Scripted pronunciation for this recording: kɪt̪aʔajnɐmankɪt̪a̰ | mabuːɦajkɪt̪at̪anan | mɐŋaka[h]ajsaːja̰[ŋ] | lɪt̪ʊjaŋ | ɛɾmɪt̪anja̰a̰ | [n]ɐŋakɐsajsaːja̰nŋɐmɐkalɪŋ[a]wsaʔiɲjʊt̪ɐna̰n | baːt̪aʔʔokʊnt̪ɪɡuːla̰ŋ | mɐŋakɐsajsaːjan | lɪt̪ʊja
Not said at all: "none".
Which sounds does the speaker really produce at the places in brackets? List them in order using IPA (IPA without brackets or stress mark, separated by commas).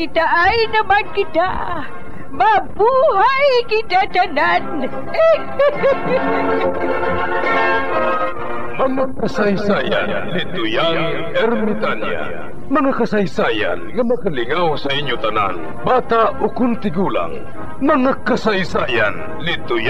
s, n, m, a